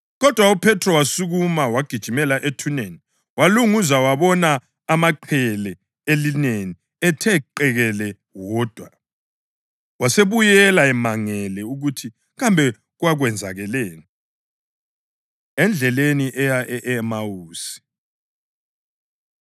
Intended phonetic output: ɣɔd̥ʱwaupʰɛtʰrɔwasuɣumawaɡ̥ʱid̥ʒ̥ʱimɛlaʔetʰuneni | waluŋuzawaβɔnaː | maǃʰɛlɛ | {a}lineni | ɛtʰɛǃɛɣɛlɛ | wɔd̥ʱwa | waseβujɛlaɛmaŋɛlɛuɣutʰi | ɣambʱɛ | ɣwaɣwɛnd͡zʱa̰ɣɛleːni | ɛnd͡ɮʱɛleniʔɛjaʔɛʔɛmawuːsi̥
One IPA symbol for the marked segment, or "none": e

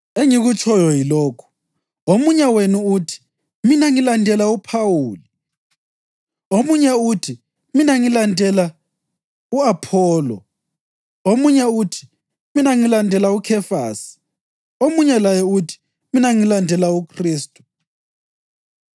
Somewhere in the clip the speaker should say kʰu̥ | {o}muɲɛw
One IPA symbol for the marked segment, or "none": o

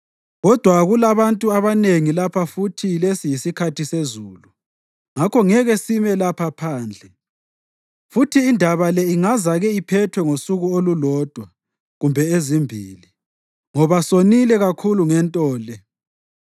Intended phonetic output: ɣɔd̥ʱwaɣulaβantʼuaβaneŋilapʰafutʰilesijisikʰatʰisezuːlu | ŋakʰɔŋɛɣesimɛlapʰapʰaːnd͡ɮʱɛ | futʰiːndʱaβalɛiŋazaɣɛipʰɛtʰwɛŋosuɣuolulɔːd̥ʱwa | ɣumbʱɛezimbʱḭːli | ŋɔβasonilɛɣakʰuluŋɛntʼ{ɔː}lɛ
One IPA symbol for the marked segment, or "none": ɔː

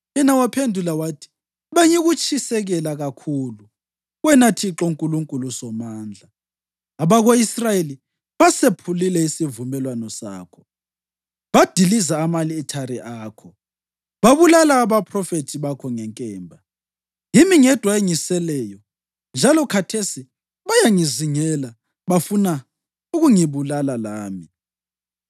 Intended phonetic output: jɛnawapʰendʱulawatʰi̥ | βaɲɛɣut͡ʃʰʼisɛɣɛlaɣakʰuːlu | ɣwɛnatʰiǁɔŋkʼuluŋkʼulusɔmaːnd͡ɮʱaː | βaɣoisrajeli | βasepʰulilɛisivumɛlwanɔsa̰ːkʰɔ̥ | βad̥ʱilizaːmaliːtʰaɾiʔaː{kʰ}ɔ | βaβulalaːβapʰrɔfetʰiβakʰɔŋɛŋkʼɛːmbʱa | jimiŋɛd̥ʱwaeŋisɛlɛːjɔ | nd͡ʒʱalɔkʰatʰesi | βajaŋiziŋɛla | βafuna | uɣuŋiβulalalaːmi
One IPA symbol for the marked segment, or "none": kʰ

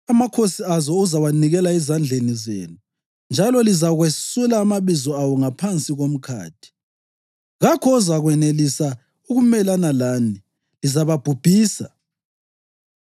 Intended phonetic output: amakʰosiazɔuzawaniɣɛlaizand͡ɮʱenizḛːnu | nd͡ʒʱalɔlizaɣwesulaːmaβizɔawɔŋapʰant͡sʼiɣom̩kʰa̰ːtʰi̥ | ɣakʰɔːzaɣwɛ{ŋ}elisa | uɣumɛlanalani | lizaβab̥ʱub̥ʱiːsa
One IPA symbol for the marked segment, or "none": n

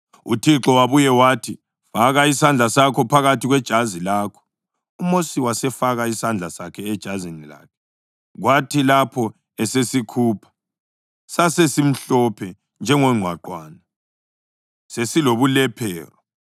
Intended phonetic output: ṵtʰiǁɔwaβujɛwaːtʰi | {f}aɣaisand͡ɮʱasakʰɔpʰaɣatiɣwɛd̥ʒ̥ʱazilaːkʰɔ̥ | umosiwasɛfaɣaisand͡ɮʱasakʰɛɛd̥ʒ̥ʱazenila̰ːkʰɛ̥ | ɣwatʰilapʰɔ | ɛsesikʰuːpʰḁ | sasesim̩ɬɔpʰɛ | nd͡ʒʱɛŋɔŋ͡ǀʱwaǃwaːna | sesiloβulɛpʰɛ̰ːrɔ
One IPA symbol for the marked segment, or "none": f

